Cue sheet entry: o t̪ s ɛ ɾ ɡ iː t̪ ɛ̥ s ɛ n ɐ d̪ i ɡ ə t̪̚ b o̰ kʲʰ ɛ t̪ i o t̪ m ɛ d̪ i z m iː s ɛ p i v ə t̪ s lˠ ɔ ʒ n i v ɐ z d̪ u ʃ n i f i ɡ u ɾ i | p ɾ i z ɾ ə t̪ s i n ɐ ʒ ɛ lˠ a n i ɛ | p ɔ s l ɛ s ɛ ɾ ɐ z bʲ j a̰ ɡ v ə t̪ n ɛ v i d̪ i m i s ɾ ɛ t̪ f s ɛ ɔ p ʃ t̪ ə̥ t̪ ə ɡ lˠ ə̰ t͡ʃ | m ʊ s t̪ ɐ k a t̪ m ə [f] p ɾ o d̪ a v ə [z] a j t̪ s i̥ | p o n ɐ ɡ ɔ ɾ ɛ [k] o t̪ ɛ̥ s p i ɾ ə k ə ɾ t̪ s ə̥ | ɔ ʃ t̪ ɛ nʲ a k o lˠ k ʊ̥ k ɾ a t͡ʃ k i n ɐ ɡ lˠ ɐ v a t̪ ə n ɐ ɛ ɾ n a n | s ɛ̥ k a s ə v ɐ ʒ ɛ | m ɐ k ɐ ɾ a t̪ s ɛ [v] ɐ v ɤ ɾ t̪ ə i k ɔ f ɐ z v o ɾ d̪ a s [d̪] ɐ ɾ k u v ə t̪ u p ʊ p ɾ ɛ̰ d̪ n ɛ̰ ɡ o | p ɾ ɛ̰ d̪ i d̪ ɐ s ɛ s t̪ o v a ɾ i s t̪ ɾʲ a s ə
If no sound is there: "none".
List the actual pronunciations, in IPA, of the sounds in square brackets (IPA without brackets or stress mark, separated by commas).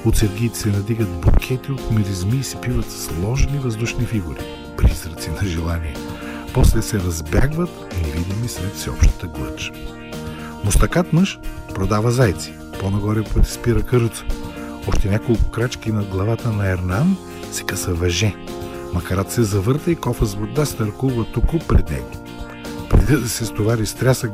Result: ʃ, z, p, z, t̪